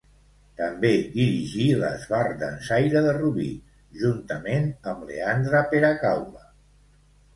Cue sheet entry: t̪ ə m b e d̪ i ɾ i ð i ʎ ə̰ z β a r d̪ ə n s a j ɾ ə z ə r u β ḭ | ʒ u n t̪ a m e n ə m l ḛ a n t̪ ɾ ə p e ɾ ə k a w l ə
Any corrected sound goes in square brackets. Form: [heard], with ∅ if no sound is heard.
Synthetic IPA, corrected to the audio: t̪ ə m b e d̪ i ɾ i [ʒ] i [l] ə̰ z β a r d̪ ə n s a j ɾ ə [ð] ə r u β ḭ | ʒ u n t̪ [ə] m e n ə m l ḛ a n [d̪] ɾ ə p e ɾ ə k a w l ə